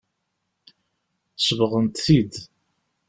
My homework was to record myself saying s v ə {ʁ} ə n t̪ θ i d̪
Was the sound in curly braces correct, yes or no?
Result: yes